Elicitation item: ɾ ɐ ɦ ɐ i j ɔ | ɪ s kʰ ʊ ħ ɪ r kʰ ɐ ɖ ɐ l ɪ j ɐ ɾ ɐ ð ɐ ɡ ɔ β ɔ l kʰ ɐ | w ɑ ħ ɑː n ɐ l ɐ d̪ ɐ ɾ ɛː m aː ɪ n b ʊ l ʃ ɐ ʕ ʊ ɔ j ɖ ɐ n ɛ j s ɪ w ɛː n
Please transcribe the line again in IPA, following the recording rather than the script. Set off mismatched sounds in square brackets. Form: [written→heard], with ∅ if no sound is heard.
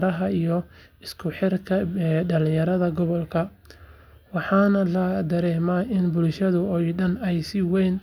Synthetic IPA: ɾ ɐ ɦ ɐ i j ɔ | ɪ s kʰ ʊ ħ ɪ r kʰ ɐ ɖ ɐ l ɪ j ɐ ɾ ɐ ð ɐ ɡ ɔ β ɔ l kʰ ɐ | w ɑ ħ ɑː n ɐ l ɐ d̪ ɐ ɾ ɛː m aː ɪ n b ʊ l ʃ ɐ [ʕ→ð] ʊ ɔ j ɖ ɐ n ɛ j s ɪ w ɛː n